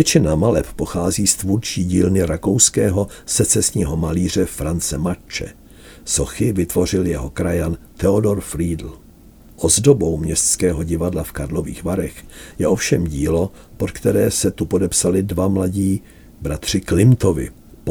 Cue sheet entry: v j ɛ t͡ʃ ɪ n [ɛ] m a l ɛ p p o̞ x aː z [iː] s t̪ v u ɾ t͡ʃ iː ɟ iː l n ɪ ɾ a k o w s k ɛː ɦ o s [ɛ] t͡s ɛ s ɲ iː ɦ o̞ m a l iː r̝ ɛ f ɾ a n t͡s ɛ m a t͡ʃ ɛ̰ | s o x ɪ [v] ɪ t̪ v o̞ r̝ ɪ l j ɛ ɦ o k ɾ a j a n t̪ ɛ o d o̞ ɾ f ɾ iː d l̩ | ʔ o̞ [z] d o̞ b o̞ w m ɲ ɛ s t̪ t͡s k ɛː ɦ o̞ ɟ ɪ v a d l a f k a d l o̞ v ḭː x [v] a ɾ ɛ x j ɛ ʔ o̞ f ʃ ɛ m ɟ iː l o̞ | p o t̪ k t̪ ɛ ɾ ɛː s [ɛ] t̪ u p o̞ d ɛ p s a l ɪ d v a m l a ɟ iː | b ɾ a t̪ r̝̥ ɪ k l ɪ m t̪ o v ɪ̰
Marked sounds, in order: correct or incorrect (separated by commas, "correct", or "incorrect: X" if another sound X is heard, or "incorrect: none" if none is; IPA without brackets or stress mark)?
incorrect: a, correct, correct, correct, correct, correct, correct